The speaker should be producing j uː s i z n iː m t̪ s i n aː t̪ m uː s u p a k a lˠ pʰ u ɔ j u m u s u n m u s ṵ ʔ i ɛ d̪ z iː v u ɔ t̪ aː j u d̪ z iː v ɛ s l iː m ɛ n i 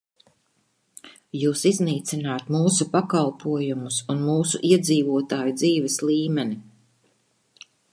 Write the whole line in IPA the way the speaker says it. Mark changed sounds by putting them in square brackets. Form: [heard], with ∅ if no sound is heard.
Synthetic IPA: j uː s i z n iː [∅] t̪ s i n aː t̪ m uː s u p a k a lˠ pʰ u ɔ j u m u s u n m [uː] s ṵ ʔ i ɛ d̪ z iː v u ɔ t̪ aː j u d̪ z iː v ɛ s l iː m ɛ n i